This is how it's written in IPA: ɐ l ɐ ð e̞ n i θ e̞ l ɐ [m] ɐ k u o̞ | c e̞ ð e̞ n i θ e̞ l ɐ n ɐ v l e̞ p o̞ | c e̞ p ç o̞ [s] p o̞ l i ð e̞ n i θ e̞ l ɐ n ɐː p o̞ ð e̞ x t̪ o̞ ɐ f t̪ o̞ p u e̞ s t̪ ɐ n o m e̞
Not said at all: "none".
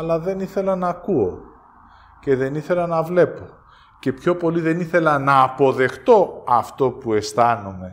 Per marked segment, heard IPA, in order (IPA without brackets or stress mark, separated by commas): n, none